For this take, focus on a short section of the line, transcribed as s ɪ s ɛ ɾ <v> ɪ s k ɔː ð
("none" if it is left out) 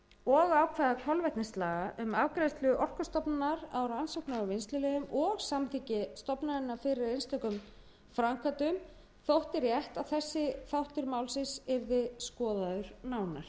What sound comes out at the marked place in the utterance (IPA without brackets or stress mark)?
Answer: ð